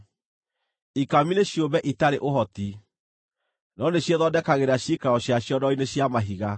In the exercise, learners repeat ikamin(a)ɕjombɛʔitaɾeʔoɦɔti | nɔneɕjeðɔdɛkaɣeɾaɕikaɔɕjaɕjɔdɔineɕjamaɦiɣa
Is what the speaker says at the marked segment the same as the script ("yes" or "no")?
no